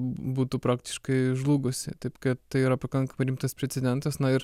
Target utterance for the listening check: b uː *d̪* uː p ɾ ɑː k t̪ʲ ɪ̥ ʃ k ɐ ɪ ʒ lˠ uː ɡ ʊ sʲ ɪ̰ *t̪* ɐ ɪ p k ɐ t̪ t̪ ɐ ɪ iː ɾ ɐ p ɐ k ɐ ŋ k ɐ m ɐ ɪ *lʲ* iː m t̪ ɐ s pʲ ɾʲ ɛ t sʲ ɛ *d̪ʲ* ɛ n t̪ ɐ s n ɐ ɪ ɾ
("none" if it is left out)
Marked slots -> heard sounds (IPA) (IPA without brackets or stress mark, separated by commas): t̪, t̪, ɾʲ, d̪ʲ